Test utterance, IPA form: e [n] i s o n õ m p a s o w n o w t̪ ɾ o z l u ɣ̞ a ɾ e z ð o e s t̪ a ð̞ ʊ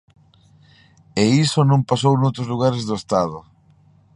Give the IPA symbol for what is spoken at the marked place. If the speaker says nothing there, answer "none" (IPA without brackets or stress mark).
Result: none